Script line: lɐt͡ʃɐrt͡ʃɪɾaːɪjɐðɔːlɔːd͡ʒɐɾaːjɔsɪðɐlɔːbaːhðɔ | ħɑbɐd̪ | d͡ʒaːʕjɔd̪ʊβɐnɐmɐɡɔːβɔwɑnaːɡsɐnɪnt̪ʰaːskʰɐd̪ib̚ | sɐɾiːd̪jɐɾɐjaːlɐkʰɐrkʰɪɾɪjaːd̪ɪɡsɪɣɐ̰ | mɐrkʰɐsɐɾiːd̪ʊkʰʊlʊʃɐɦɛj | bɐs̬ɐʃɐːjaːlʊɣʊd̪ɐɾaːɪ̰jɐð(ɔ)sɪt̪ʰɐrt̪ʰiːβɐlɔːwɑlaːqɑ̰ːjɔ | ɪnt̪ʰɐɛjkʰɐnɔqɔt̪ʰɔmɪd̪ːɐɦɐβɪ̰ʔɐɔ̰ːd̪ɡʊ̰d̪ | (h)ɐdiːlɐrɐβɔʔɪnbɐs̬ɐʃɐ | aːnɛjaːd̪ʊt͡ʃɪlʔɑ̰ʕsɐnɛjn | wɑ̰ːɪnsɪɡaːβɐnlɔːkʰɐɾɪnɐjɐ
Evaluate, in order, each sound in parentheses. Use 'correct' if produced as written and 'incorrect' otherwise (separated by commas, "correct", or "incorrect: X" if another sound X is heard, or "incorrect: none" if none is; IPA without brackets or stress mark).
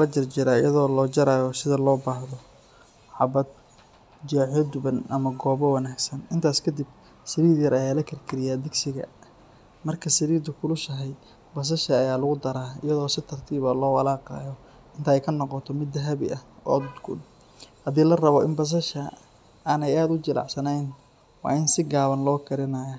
incorrect: ɔː, correct